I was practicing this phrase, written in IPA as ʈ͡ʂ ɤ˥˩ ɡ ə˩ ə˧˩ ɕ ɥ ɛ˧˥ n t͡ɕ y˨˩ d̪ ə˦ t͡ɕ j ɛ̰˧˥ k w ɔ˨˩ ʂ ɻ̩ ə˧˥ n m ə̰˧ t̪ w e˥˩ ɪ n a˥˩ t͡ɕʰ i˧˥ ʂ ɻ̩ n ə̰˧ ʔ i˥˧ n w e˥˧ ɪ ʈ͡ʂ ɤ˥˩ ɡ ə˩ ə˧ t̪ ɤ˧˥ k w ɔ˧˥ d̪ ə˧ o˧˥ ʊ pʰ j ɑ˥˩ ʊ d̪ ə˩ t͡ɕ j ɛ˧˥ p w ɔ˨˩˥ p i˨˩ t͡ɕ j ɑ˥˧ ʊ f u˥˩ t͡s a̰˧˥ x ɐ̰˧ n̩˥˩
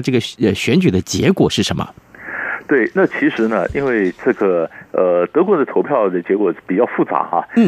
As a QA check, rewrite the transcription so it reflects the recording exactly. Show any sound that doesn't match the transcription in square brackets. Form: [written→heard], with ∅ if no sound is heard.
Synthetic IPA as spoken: ʈ͡ʂ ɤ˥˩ ɡ ə˩ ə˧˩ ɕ ɥ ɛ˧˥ n t͡ɕ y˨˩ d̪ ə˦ t͡ɕ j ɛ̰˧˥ k w ɔ˨˩ ʂ ɻ̩ ə˧˥ n m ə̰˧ t̪ w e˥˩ ɪ n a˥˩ t͡ɕʰ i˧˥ ʂ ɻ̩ n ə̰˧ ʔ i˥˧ n w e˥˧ ɪ ʈ͡ʂ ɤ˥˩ ɡ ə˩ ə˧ t̪ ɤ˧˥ k w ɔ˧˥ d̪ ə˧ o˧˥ ʊ pʰ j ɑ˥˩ ʊ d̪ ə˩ t͡ɕ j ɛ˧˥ [p→k] w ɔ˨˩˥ p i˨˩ t͡ɕ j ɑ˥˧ ʊ f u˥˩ t͡s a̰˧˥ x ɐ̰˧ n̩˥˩